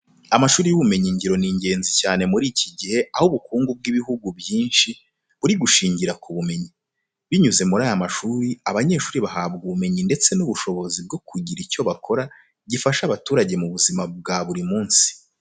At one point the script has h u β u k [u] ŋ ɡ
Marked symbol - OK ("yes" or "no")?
no